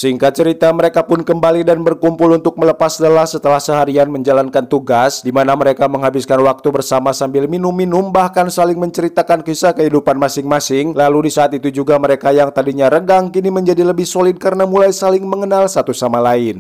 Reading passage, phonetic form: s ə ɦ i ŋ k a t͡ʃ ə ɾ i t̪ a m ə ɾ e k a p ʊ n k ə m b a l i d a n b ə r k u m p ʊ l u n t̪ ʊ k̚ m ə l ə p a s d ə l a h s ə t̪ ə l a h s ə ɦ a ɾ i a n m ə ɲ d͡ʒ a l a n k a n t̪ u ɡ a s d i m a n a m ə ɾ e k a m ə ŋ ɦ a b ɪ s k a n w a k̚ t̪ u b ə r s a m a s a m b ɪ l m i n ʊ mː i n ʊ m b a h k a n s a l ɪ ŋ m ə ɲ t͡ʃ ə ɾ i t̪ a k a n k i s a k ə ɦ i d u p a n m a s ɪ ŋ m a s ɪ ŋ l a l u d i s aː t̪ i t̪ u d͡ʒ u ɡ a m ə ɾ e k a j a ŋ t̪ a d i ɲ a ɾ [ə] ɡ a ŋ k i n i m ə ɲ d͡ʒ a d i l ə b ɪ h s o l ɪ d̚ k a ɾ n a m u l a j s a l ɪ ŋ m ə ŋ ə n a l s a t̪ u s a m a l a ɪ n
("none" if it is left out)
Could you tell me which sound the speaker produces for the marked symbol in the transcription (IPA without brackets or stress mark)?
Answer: ə